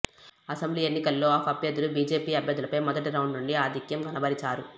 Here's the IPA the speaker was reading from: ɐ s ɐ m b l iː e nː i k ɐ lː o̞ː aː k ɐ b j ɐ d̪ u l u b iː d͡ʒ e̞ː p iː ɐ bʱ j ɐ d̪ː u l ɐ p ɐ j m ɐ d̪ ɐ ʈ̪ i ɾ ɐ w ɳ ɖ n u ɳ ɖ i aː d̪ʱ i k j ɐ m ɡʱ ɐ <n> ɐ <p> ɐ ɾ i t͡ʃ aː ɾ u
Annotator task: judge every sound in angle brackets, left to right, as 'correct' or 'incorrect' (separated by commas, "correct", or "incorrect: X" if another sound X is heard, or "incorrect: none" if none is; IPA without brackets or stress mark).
correct, incorrect: b